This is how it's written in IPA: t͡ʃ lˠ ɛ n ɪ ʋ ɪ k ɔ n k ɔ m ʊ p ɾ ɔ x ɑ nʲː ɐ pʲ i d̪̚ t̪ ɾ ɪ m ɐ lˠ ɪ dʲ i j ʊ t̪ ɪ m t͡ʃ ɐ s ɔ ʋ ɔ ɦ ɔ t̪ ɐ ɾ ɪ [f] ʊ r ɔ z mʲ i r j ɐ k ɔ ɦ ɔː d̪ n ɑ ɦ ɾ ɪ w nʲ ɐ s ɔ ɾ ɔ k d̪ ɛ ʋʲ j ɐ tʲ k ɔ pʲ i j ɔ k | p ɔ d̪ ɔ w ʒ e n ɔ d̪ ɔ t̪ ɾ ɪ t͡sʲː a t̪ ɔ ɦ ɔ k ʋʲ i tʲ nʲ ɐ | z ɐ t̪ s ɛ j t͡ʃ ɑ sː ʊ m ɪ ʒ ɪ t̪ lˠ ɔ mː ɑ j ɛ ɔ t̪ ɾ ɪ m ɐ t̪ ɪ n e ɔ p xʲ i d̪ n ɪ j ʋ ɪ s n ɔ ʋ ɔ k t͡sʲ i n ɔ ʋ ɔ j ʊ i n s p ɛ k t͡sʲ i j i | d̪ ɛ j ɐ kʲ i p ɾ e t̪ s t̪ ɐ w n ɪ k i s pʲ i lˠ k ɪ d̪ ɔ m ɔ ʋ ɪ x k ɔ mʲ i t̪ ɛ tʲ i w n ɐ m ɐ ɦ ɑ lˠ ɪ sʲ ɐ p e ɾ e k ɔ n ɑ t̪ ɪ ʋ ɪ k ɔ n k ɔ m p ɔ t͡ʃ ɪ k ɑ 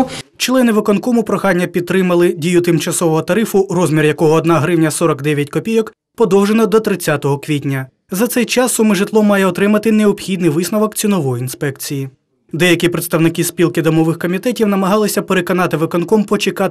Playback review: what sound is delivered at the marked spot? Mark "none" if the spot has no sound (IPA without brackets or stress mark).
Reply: f